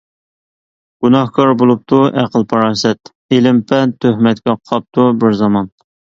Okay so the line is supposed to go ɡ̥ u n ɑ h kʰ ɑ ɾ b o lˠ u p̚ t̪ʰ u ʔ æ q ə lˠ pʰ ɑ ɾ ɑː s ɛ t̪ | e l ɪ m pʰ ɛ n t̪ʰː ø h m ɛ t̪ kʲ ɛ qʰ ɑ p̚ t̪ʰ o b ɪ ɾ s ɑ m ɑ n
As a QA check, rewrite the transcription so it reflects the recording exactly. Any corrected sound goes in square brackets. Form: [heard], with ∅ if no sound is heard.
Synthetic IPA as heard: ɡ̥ u n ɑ h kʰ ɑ ɾ b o lˠ u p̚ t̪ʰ u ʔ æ q ə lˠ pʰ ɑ ɾ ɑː s ɛ t̪ | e l ɪ m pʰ ɛ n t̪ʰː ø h m ɛ t̪ kʲ ɛ qʰ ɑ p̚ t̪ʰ [u] b ɪ ɾ [z] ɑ m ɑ n